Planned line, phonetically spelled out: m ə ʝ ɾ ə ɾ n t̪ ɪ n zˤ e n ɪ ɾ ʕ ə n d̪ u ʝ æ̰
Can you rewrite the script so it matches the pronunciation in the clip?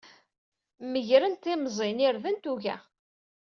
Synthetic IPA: m ə ʝ ɾ ə n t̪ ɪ m zˤ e n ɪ ɾ ð ə n t̪ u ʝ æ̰